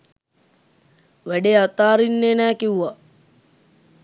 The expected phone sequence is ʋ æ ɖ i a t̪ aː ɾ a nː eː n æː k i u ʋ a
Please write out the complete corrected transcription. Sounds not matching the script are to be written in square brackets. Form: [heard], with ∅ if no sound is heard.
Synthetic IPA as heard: ʋ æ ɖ [e] a t̪ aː ɾ [i] nː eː n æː k i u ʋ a